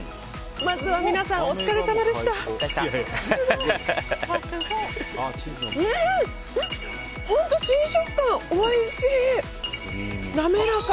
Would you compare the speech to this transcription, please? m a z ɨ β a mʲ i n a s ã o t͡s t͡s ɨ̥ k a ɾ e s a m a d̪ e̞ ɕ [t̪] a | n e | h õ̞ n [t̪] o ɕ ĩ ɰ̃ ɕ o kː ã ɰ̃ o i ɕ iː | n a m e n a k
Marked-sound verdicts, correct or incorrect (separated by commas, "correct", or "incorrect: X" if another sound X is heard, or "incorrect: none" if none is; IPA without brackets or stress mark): correct, correct